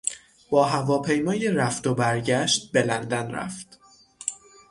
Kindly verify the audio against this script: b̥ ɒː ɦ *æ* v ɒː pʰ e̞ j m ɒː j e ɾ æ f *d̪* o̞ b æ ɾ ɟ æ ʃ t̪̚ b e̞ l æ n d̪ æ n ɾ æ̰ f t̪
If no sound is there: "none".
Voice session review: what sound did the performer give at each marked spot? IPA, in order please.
æ, t̪

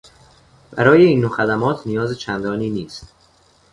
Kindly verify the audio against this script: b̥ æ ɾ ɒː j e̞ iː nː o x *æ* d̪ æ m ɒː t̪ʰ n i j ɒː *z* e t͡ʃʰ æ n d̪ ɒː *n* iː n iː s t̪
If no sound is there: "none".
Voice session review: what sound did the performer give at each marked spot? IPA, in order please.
æ, z, n

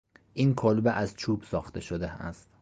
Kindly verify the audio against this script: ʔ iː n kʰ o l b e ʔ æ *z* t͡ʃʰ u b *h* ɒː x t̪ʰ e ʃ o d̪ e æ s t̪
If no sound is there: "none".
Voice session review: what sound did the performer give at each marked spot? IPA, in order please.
z, s

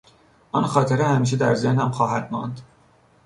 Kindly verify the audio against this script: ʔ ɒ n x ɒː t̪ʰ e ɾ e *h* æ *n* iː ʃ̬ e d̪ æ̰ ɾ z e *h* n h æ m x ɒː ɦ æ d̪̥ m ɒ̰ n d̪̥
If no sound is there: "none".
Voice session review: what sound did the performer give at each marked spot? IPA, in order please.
h, m, h

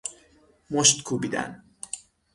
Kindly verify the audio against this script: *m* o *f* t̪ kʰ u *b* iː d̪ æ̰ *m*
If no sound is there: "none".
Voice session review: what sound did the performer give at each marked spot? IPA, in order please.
m, ʃ, b, n

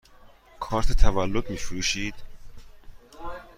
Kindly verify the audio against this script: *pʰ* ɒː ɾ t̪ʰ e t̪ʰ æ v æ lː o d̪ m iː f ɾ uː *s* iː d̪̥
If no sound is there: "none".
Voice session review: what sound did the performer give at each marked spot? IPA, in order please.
kʰ, ʃ

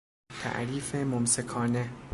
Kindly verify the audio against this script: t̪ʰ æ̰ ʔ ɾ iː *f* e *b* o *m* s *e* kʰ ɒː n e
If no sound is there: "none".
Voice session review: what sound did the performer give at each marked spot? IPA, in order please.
f, m, m, e

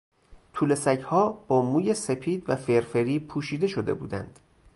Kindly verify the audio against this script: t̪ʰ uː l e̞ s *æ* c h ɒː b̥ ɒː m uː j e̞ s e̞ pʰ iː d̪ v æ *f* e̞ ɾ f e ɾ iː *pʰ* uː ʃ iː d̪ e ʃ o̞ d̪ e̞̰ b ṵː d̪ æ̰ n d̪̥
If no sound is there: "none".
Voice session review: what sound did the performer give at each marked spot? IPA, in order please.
æ, f, pʰ

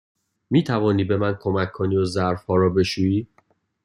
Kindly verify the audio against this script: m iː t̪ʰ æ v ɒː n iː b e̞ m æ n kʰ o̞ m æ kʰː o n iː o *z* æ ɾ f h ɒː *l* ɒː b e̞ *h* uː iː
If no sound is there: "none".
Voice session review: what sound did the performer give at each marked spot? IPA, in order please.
z, ɾ, ʃ

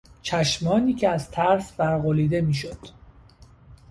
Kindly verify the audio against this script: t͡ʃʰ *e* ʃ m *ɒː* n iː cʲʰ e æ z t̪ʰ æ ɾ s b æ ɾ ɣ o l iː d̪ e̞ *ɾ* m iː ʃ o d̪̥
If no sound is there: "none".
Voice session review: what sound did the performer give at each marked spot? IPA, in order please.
æ, ɒː, none

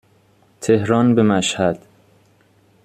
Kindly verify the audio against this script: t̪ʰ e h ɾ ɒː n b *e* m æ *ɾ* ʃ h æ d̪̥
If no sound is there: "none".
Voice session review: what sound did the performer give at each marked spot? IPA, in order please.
e, none

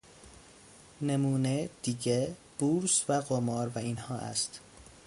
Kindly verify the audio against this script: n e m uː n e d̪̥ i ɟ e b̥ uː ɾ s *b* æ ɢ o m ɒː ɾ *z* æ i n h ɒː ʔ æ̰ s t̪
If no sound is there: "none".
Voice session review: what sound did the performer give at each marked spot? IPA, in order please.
v, v

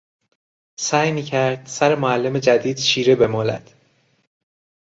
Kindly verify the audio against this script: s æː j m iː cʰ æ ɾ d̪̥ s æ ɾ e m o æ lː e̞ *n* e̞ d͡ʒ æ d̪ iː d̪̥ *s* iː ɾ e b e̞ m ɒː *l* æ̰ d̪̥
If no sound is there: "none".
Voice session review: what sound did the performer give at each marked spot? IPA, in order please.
m, ʃ, l

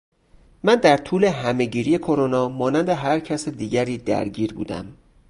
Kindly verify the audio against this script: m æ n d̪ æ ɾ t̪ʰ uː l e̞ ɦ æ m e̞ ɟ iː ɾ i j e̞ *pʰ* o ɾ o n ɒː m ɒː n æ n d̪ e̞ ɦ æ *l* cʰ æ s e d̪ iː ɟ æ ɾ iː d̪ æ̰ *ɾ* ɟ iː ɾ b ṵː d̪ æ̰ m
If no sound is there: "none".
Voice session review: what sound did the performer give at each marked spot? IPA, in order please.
kʰ, ɾ, ɾ

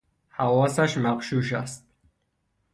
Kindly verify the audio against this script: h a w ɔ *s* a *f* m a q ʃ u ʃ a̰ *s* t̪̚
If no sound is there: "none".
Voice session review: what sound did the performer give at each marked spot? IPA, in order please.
s, ʃ, s

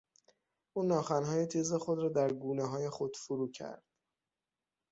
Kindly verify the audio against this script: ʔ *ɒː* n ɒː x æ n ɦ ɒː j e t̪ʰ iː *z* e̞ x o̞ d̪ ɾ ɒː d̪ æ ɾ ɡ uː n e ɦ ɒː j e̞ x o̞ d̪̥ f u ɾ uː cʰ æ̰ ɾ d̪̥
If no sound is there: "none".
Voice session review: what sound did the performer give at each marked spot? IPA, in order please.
uː, z

